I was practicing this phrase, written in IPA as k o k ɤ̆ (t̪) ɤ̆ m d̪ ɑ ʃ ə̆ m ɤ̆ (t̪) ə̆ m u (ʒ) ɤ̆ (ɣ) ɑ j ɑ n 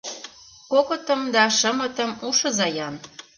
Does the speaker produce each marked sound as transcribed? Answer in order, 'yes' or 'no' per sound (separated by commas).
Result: yes, yes, no, no